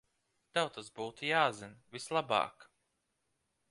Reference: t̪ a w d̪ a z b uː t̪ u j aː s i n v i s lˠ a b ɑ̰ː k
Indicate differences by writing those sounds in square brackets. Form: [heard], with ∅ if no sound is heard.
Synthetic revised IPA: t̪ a w [t̪] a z b uː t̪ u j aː [z] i n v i s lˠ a b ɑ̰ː k

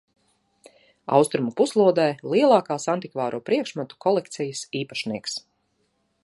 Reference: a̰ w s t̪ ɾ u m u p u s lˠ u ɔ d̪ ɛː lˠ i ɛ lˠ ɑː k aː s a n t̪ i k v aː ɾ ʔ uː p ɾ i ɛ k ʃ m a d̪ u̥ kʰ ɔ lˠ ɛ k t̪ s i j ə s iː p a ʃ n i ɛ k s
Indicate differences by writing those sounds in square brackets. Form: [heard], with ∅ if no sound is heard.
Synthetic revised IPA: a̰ w s t̪ ɾ u m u p u s lˠ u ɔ d̪ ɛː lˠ i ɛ lˠ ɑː k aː s a n t̪ i k v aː ɾ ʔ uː p ɾ i ɛ k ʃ m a [t̪] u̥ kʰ ɔ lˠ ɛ k t̪ s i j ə s iː p a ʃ n i ɛ k s

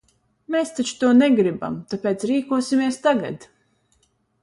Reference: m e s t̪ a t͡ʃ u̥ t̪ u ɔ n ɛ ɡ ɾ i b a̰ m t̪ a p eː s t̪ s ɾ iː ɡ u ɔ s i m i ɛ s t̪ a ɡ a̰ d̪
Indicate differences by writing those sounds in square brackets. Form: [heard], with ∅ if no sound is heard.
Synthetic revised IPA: m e s t̪ a t͡ʃ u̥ t̪ u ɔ n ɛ ɡ ɾ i b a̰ m t̪ a p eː [∅] t̪ s ɾ iː [k] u ɔ s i m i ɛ s t̪ a ɡ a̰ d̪

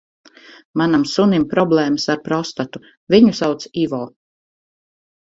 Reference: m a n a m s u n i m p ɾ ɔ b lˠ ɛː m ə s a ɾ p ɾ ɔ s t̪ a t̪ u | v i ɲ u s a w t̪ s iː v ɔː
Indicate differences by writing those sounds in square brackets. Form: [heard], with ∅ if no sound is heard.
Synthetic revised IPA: m a n a m s u n i m p ɾ ɔ b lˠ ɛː m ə s a ɾ p ɾ ɔ s t̪ a t̪ u | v i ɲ u s a w t̪ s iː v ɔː

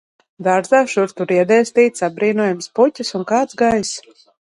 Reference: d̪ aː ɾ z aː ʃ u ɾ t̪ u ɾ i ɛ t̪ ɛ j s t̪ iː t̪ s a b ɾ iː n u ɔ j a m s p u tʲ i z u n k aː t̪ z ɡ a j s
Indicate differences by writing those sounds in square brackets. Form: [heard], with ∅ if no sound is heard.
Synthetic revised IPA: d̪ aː ɾ z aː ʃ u ɾ t̪ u ɾ i ɛ [d̪] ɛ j s t̪ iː t̪ s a b ɾ iː n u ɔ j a m s p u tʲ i [s] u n k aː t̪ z ɡ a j s

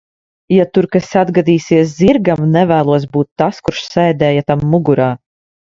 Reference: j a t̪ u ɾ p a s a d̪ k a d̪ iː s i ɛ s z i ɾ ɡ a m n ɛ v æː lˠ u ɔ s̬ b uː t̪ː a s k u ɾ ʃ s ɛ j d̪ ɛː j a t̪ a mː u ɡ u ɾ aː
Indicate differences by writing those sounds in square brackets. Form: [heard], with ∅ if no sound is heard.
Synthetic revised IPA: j a t̪ u ɾ [k] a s a d̪ [ɡ] a d̪ iː s i ɛ s z i ɾ ɡ a m n ɛ v æː lˠ u ɔ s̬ b uː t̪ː a s k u ɾ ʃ s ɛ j d̪ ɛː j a t̪ a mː u ɡ u ɾ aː

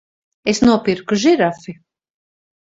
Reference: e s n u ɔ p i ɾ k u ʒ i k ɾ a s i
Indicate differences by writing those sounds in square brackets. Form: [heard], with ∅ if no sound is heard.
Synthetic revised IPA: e s n u ɔ p i ɾ k u ʒ i [∅] ɾ a [f] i

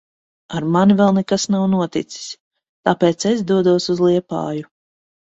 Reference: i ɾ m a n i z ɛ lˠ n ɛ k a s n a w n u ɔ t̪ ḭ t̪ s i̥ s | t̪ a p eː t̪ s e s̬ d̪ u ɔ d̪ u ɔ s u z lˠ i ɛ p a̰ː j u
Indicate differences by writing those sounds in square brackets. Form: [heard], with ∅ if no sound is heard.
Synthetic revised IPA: [a] ɾ m a n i [v] ɛ lˠ n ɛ k a s n a w n u ɔ t̪ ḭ t̪ s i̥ s | t̪ a p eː t̪ s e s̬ d̪ u ɔ d̪ u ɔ s u z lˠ i ɛ p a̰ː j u

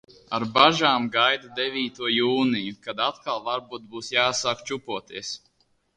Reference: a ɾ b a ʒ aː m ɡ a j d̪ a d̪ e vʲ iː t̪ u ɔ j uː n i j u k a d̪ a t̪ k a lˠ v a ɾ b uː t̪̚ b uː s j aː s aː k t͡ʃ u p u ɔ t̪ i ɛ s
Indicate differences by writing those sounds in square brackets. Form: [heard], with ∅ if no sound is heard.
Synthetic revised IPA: a ɾ b a ʒ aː m ɡ a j d̪ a d̪ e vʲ iː t̪ u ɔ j uː n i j u k a d̪ a t̪ k a lˠ v a ɾ b uː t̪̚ b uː s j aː s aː k t͡ʃ u p u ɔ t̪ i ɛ s

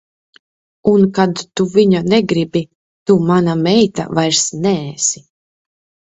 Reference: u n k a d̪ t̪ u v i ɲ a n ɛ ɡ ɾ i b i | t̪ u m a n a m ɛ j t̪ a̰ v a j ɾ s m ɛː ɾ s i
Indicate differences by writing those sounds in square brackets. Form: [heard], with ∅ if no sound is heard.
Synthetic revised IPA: u n k a d̪ t̪ u v i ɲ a n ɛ ɡ ɾ i b i | t̪ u m a n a m ɛ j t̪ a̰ v a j ɾ s [n] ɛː [∅] s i

